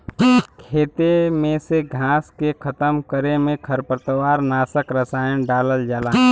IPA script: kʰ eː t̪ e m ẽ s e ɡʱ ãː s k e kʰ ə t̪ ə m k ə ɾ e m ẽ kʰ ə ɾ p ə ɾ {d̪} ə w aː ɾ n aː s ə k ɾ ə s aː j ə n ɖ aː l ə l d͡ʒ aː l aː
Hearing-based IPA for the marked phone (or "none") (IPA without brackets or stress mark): t̪